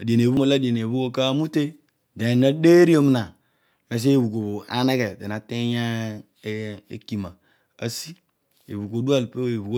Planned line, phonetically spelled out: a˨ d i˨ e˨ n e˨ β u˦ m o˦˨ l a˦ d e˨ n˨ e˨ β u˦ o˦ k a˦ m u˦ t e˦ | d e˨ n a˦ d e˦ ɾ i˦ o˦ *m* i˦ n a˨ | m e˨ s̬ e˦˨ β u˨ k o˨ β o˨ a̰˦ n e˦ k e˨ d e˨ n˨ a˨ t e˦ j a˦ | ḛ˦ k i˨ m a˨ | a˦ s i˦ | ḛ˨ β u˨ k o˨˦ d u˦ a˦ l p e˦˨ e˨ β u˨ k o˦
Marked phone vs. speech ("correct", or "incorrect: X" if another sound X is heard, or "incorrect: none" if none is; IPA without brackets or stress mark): correct